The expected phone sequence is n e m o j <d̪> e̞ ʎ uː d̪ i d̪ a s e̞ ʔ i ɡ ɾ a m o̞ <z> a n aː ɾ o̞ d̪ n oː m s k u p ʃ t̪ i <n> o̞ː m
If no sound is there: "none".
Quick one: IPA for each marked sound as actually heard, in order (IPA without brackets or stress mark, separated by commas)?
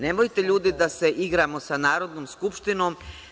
t̪, s, n